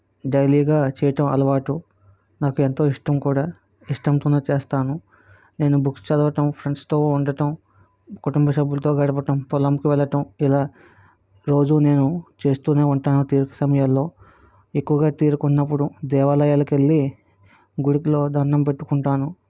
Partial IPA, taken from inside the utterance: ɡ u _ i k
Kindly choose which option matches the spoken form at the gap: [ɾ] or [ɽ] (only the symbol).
ɽ